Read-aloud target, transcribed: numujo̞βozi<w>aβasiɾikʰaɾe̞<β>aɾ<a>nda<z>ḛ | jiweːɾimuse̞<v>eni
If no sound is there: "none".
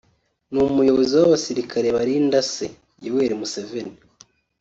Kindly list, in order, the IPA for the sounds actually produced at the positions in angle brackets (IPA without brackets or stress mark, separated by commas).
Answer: w, β, i, s, v